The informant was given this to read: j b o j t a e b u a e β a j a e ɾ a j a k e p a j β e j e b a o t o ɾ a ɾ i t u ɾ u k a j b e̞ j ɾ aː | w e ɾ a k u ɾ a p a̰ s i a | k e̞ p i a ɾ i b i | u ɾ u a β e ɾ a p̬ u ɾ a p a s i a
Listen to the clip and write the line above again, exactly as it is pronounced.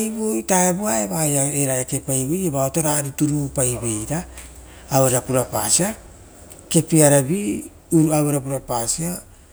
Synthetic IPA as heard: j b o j t a e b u a e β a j a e ɾ a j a k e p a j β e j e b a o t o ɾ a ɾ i t u ɾ u p a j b e̞ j ɾ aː | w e ɾ a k u ɾ a p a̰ s i a | k e̞ p i a ɾ a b i | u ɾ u a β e ɾ a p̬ u ɾ a p a s i a